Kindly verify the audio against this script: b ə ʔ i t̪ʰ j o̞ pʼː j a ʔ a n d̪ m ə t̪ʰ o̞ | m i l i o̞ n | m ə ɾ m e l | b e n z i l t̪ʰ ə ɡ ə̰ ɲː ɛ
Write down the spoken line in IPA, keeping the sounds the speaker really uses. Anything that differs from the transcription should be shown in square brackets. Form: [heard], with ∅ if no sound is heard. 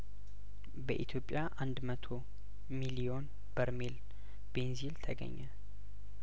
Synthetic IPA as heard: b ə ʔ i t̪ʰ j o̞ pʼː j a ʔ a n d̪ m ə t̪ʰ o̞ | m i l i o̞ n | [b] ə ɾ m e l | b e n z i l t̪ʰ ə ɡ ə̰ ɲː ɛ

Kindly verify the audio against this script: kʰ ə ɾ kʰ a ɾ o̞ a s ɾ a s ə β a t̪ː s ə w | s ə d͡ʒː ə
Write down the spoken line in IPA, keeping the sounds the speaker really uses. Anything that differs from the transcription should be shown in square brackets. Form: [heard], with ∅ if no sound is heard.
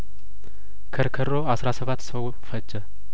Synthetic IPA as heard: kʰ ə ɾ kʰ [ə] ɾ o̞ a s ɾ a s ə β a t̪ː s ə w | [f] ə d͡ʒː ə

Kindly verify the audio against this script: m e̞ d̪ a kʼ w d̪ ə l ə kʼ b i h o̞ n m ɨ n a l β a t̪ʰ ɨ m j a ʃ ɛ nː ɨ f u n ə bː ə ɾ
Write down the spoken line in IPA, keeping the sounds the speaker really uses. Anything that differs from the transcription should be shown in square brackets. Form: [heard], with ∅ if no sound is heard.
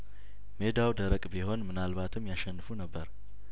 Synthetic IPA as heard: m e̞ d̪ a [∅] w d̪ ə [ɾ] ə kʼ b i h o̞ n m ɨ n a l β a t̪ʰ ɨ m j a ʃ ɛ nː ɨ f u n ə bː ə ɾ

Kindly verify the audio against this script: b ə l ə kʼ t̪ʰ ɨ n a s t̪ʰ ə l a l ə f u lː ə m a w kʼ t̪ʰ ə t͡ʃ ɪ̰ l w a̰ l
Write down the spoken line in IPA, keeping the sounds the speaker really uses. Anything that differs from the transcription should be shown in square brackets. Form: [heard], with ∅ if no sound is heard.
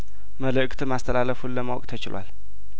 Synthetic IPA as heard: [m] ə l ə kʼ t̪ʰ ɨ [m] a s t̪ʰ ə l a l ə f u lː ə m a w kʼ t̪ʰ ə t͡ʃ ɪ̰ l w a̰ l

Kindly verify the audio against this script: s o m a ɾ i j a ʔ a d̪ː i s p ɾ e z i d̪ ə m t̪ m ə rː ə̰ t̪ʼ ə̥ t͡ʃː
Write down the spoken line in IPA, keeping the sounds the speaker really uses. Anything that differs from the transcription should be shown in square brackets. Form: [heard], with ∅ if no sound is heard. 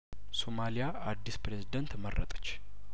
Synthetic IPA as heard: s o m a [l] i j a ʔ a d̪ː i s p ɾ e z i d̪ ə [n] t̪ m ə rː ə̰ t̪ʼ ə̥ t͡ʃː

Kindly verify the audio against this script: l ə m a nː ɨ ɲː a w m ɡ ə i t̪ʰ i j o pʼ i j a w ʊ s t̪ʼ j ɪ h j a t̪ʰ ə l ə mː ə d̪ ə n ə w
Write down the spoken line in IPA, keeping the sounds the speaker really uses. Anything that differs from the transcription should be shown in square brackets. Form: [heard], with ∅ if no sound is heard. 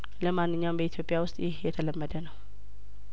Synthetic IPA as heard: l ə m a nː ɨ ɲː a w m [b] ə i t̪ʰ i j o pʼ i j a w ʊ s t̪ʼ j ɪ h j [ɛ] t̪ʰ ə l ə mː ə d̪ ə n ə w

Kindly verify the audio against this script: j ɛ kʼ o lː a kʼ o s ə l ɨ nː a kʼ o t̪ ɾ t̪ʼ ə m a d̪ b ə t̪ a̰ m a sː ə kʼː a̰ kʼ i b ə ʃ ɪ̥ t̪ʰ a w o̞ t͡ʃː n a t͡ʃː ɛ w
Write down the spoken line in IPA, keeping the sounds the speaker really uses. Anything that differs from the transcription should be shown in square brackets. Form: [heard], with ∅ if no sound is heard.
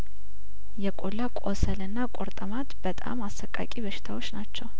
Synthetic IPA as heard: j ɛ kʼ o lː a kʼ o s ə l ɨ nː a kʼ o [∅] ɾ t̪ʼ ə m a [t̪] b ə [t̪ʼ] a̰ m a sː ə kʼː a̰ kʼ i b ə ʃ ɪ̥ t̪ʰ a w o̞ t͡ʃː n a t͡ʃː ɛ w

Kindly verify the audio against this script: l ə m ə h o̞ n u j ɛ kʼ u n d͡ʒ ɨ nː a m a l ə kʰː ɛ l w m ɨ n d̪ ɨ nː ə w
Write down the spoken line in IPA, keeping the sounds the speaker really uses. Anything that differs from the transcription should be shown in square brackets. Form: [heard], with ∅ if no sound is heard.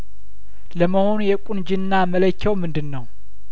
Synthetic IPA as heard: l ə m ə h o̞ n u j ɛ kʼ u n d͡ʒ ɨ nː a m [ə] l ə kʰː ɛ [∅] w m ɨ n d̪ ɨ nː ə w

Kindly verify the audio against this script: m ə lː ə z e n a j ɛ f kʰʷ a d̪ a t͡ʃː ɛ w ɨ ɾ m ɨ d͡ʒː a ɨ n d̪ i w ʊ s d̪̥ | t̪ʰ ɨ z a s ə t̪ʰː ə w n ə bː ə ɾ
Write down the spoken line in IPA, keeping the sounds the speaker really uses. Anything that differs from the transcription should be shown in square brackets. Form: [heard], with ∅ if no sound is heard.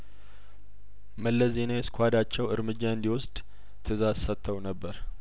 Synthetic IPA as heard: m ə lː ə z e n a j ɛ [s] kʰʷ a d̪ a t͡ʃː ɛ w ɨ ɾ m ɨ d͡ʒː a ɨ n d̪ i w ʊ s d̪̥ | t̪ʰ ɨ z a s ə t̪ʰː ə w n ə bː ə ɾ

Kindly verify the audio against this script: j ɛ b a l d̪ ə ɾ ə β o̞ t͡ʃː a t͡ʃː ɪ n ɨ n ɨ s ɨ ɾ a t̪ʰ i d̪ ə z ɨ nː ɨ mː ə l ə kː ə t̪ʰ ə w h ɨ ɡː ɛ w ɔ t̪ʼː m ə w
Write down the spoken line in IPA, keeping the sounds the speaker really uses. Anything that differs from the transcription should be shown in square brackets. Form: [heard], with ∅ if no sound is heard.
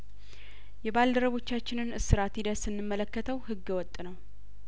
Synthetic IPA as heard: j ɛ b a l d̪ ə ɾ ə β o̞ t͡ʃː a t͡ʃː ɪ n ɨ n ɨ s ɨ ɾ a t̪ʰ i d̪ ə [s] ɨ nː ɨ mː ə l ə kː ə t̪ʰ ə w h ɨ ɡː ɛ w ɔ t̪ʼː [n] ə w

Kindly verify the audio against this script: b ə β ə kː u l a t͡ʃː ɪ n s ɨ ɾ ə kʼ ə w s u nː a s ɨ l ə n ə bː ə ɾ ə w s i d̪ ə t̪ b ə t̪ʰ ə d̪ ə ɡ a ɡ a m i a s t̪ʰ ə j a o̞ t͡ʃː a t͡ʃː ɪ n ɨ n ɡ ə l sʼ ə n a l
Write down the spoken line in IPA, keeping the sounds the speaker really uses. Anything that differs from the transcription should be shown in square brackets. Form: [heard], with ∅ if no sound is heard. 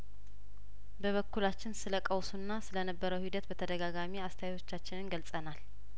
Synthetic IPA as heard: b ə β ə kː u l a t͡ʃː ɪ n s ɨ [l] ə kʼ ə w s u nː a s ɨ l ə n ə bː ə ɾ ə w [h] i d̪ ə t̪ b ə t̪ʰ ə d̪ ə ɡ a ɡ a m i a s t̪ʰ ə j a o̞ t͡ʃː a t͡ʃː ɪ n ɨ n ɡ ə l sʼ ə n a l

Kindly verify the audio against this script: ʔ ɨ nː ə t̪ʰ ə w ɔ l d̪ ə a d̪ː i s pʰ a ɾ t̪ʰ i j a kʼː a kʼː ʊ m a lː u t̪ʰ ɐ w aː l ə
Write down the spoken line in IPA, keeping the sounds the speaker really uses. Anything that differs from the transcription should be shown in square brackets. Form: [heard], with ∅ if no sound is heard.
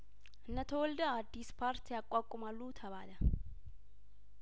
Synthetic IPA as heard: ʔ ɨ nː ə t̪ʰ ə w ɔ l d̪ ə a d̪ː i s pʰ a ɾ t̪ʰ i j a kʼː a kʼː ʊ m a lː u t̪ʰ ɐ [β] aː l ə

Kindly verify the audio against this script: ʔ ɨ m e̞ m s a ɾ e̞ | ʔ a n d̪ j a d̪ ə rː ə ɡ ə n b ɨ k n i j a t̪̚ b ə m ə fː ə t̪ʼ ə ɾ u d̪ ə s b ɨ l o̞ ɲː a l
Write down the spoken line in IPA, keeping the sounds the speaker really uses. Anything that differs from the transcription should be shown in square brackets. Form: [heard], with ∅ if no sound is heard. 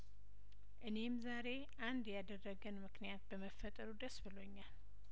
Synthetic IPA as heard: ʔ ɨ [n] e̞ m [z] a ɾ e̞ | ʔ a n d̪ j a d̪ ə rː ə ɡ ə n [m] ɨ k n i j a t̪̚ b ə m ə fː ə t̪ʼ ə ɾ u d̪ ə s b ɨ l o̞ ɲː a l

